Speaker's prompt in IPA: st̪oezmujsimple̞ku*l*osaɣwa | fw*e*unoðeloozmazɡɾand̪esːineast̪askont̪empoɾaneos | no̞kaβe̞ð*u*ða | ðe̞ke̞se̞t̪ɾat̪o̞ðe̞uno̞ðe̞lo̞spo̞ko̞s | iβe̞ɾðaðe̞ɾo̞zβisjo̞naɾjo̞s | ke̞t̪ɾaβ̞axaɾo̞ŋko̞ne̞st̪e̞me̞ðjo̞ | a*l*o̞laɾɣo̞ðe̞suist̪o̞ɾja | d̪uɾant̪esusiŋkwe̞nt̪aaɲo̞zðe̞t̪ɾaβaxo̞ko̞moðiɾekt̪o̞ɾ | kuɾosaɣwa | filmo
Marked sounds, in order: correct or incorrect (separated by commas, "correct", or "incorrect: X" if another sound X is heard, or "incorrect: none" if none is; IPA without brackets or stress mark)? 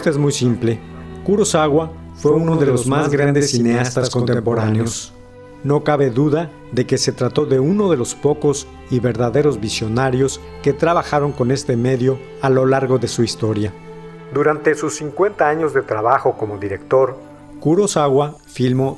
incorrect: ɾ, correct, correct, correct